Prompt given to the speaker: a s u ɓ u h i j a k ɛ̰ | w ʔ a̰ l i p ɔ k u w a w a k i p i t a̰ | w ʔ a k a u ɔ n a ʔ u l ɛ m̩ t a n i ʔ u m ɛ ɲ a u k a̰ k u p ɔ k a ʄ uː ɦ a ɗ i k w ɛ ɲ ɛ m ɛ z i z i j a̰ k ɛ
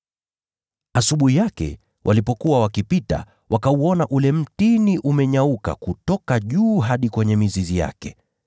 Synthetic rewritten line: a s u ɓ u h i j a k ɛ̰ | w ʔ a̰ l i p ɔ k u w a w a k i p i t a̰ | w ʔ a k a u ɔ n a ʔ u l ɛ m̩ t i n i ʔ u m ɛ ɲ a u k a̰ k u t ɔ k a ʄ uː ɦ a ɗ i k w ɛ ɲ ɛ m i z i z i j a̰ k ɛ